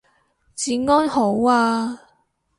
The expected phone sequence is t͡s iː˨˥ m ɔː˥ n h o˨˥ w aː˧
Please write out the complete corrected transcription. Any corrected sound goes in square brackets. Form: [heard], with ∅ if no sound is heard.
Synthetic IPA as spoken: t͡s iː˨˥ [ŋ] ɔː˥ n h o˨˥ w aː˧